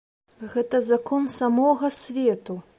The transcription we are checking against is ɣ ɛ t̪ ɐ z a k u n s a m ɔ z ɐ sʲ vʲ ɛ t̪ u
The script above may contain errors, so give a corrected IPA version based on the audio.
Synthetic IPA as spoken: ɣ ɛ t̪ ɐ z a k ɔ n s a m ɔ ɣ ɐ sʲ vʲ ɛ t̪ u